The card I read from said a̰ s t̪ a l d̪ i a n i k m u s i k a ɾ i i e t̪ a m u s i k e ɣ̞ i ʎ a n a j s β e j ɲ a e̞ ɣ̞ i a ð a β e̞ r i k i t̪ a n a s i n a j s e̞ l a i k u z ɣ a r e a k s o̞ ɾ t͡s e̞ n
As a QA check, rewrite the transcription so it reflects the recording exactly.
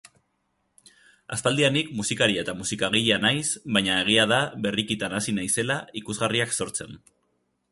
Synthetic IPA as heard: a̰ s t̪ a l d̪ i a n i k m u s i k a ɾ i a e t̪ a m u s i k a ɣ̞ i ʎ a n a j s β a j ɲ a e̞ ɣ̞ i a ð a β e̞ r i k i t̪ a n a s i n a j s e̞ l a i k u z ɣ a r i a k s o̞ ɾ t͡s e̞ n